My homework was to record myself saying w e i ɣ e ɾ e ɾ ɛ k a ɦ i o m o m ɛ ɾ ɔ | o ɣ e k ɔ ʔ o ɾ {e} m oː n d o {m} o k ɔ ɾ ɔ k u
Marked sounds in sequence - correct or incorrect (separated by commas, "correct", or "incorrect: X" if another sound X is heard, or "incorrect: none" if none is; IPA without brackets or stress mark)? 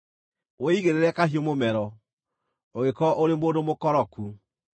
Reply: correct, correct